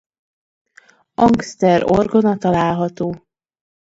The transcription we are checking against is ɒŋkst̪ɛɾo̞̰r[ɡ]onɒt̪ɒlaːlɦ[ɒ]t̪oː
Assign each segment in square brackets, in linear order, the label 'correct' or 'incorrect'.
correct, correct

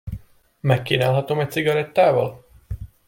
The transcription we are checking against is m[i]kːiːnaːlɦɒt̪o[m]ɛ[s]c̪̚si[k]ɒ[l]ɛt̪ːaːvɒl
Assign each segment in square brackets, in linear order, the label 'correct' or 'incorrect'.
incorrect, correct, incorrect, incorrect, incorrect

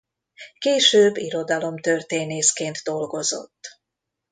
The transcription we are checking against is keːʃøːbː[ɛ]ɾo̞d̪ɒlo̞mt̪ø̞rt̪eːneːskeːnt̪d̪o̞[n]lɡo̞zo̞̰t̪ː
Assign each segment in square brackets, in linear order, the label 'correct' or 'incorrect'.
incorrect, incorrect

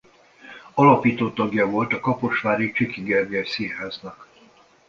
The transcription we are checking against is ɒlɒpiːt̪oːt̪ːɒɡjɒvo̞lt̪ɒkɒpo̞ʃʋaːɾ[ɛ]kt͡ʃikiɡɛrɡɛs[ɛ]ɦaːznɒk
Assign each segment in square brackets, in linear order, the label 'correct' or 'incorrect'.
incorrect, incorrect

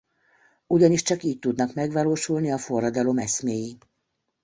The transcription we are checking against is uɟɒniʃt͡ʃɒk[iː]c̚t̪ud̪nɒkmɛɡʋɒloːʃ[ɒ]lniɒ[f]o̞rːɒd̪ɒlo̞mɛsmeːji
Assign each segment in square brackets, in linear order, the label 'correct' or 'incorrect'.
correct, incorrect, correct

